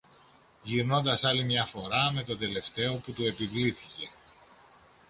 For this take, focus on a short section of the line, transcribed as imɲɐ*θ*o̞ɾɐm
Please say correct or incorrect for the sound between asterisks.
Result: incorrect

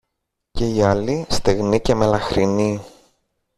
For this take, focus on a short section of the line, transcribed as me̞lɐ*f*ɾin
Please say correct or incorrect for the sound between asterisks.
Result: incorrect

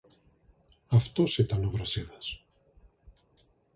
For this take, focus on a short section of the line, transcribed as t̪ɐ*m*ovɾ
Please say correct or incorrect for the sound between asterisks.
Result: incorrect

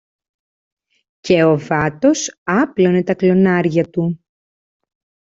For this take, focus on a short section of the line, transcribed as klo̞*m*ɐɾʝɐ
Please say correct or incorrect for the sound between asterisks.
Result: incorrect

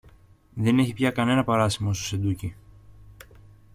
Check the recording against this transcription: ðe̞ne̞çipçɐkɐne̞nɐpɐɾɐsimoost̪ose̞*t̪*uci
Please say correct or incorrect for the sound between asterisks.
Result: incorrect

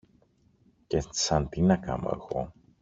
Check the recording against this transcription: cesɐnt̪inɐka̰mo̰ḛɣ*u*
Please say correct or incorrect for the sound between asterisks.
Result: incorrect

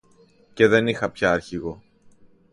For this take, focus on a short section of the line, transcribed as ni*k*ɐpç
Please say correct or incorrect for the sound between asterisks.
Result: incorrect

